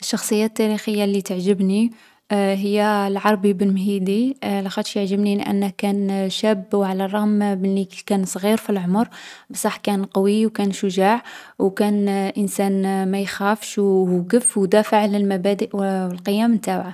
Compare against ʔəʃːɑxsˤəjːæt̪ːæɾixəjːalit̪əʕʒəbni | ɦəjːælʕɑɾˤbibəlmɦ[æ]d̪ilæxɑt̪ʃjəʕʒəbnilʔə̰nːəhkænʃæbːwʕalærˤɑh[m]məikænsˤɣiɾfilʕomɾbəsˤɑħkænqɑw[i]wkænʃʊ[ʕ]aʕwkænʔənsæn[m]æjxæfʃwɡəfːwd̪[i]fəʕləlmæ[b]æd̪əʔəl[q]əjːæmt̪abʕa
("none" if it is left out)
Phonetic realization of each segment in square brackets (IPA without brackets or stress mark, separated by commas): i, m, i, ʒ, m, æ, b, q